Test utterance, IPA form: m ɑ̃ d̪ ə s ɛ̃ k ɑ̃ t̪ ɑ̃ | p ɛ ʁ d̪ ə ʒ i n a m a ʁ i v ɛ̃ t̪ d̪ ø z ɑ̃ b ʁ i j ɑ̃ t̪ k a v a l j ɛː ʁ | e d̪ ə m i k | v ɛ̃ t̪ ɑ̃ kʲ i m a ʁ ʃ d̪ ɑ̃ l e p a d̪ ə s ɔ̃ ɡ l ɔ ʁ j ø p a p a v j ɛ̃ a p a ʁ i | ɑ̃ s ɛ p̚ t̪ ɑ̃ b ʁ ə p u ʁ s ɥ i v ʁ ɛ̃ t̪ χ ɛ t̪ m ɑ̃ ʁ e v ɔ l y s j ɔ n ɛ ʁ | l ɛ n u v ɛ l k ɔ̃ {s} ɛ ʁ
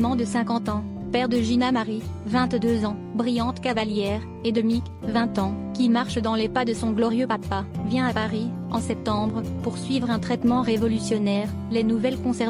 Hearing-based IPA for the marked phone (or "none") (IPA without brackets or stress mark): s